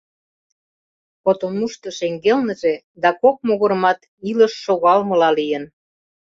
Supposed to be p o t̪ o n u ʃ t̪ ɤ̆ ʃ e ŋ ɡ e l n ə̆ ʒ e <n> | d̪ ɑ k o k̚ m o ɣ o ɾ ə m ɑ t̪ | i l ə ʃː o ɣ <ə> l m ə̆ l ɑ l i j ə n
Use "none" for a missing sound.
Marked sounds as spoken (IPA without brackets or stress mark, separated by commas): none, ɑ